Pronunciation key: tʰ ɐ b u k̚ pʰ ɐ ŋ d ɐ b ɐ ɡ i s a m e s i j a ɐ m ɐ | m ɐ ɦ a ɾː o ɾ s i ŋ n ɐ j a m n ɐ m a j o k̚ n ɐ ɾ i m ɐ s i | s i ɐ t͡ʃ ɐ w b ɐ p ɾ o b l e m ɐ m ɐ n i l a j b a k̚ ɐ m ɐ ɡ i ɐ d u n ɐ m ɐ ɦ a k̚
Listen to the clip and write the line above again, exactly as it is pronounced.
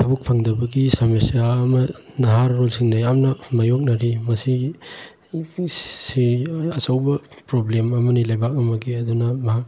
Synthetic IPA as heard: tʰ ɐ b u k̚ pʰ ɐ ŋ d ɐ b ɐ ɡ i s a m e s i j a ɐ m ɐ | n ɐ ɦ a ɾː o l s i ŋ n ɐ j a m n ɐ m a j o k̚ n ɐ ɾ i m ɐ s i | s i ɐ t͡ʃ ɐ w b ɐ p ɾ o b l e m ɐ m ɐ n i l a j b a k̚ ɐ m ɐ ɡ i ɐ d u n ɐ m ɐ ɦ a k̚